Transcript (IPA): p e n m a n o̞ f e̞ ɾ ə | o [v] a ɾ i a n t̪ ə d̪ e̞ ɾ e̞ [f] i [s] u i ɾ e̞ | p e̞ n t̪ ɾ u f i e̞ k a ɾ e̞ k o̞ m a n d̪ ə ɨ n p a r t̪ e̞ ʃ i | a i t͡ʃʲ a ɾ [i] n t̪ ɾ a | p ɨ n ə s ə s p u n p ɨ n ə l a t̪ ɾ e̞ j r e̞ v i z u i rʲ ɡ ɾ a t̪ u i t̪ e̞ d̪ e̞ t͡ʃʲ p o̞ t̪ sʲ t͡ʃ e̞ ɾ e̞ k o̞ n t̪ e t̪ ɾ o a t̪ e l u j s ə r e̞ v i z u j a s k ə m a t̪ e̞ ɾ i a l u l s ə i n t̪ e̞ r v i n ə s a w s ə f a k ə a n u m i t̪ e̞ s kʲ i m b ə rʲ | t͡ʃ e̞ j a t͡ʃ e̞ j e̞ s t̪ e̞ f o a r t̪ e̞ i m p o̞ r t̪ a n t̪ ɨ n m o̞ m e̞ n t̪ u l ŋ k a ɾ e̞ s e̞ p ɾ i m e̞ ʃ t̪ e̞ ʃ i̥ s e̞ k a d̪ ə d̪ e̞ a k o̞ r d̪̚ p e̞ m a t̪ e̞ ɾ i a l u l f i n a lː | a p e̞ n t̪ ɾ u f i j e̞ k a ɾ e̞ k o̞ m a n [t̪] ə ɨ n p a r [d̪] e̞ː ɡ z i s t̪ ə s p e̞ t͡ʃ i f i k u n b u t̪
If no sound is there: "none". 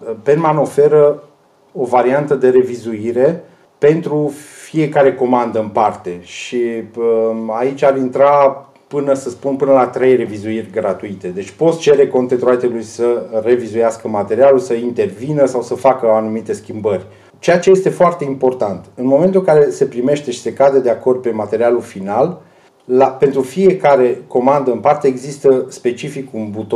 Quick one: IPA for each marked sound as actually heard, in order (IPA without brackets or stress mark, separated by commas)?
v, v, z, i, d̪, t̪